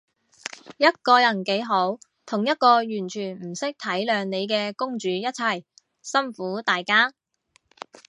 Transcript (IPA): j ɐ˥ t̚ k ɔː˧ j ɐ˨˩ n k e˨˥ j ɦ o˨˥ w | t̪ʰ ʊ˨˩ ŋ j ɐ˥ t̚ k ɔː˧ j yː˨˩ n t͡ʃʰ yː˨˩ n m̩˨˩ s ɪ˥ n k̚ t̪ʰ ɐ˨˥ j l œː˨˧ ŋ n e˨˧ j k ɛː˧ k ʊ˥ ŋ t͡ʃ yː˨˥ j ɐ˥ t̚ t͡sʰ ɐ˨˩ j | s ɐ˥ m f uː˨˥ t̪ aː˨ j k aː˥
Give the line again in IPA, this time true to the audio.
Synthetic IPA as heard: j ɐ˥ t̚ k ɔː˧ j ɐ˨˩ n k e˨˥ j ɦ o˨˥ w | t̪ʰ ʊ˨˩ ŋ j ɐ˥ t̚ k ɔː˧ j yː˨˩ n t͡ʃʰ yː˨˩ n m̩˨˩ s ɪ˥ k̚ t̪ʰ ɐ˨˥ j l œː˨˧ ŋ n e˨˧ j k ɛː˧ k ʊ˥ ŋ t͡ʃ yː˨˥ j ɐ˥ t̚ t͡sʰ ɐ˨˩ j | s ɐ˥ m f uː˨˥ t̪ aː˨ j k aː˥